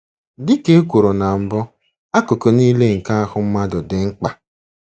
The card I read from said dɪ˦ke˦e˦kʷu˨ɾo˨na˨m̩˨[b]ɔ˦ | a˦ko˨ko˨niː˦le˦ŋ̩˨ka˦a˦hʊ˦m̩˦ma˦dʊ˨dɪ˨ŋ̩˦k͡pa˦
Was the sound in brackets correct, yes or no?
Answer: yes